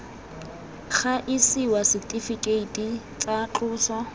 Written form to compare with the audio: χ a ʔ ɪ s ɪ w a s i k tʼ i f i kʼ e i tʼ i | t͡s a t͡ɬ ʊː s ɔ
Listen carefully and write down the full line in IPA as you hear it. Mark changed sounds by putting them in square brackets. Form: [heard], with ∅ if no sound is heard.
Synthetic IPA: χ a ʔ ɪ s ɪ w a s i k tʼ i f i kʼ e i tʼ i | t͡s a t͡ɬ ʊː s ɔ